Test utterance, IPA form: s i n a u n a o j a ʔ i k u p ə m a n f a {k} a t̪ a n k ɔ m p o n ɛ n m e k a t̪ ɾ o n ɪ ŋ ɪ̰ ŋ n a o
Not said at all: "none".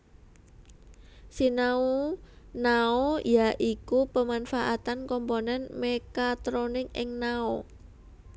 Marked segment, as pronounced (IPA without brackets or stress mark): ʔ